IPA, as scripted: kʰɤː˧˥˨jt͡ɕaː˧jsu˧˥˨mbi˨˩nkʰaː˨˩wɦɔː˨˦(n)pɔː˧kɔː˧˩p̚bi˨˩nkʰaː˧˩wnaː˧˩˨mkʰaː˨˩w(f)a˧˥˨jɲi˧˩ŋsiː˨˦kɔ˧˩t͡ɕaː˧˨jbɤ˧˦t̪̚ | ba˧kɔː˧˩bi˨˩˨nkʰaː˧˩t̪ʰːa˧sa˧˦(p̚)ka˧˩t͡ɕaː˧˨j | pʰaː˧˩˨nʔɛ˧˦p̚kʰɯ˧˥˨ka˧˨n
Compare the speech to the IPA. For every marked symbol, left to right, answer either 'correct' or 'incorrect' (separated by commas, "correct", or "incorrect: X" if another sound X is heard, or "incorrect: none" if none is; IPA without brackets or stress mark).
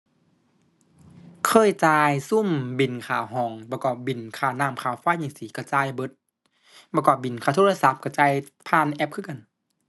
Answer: incorrect: ŋ, correct, correct